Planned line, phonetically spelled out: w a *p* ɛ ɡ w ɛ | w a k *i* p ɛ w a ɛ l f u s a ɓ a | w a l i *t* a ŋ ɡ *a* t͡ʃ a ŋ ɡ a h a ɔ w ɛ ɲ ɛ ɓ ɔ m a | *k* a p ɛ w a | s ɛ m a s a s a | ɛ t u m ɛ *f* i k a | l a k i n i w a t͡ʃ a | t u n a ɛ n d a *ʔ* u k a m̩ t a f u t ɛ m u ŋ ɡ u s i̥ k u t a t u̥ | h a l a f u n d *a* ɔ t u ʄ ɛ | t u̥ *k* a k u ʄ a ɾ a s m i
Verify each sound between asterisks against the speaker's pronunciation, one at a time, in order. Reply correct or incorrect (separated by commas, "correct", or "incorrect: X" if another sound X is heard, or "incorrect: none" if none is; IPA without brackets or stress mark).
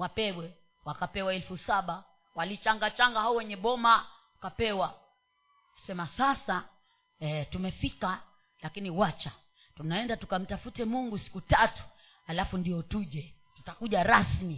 correct, incorrect: a, incorrect: t͡ʃ, correct, correct, correct, incorrect: t, incorrect: i, incorrect: t